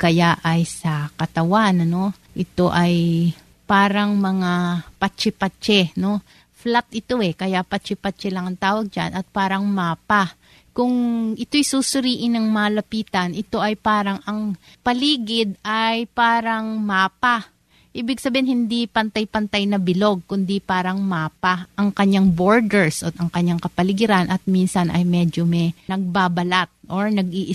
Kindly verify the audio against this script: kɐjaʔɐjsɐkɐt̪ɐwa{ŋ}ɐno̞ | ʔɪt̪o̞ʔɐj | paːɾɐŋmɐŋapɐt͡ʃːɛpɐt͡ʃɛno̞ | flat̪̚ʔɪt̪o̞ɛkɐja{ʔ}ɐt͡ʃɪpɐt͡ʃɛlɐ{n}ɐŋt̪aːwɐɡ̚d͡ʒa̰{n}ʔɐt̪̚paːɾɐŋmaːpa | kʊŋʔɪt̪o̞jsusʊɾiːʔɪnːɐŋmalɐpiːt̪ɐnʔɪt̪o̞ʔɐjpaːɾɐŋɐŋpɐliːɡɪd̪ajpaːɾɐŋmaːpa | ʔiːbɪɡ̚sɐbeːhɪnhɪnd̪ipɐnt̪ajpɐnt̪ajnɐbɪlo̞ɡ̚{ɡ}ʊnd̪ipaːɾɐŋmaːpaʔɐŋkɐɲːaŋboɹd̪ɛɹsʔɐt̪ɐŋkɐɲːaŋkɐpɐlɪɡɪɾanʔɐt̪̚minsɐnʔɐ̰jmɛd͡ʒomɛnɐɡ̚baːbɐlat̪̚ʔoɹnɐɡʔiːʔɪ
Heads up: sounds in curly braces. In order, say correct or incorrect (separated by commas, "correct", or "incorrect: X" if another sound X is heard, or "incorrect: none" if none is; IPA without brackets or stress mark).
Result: incorrect: n, incorrect: p, incorrect: ŋ, correct, incorrect: k